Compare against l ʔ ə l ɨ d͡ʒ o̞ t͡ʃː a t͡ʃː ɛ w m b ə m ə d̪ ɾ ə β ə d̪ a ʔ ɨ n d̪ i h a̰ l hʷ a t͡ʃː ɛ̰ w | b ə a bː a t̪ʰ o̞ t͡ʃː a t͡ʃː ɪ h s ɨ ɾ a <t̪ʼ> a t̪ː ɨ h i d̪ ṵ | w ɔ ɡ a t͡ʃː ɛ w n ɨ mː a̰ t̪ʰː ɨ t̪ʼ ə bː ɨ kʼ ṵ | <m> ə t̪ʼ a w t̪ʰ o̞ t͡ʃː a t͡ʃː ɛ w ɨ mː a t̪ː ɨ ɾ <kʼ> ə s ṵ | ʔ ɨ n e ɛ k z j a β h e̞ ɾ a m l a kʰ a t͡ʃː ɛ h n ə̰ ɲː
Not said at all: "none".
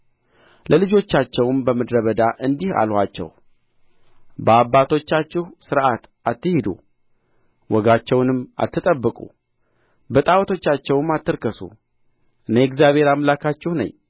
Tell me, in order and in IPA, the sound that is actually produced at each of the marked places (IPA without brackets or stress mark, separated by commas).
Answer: t̪, b, k